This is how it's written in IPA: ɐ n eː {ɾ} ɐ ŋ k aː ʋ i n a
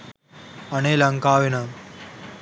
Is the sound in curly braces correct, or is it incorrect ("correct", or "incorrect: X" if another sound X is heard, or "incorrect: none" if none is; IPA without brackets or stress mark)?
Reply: incorrect: l